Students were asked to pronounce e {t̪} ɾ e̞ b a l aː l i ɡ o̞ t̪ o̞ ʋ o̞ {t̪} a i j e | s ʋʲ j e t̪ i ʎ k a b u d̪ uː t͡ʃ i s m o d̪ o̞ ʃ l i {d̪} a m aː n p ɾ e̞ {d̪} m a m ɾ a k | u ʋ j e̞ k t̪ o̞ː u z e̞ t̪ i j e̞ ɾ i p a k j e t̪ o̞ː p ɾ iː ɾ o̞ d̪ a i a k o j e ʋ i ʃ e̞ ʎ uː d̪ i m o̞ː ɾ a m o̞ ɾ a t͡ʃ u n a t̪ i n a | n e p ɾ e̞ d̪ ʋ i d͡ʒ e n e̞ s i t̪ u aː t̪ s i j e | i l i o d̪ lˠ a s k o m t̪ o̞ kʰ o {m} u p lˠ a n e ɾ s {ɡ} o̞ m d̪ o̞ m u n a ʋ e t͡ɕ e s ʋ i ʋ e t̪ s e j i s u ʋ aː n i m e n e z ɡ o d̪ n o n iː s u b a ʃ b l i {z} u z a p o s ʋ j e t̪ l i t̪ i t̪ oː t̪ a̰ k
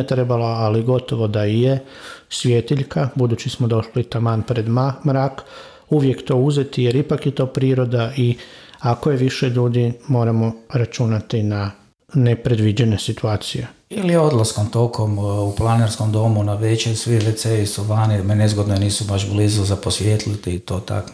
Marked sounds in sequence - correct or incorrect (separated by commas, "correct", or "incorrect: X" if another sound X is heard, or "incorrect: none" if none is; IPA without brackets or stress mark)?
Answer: correct, incorrect: d̪, incorrect: t̪, correct, correct, incorrect: k, correct